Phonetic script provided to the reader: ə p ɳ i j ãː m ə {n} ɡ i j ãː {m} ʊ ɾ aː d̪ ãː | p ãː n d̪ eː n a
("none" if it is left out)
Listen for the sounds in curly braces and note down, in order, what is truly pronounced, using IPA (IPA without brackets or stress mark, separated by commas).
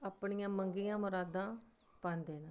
ŋ, m